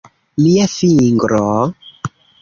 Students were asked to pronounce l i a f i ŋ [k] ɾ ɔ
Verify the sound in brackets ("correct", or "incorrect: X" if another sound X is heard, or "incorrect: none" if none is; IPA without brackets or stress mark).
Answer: incorrect: ɡ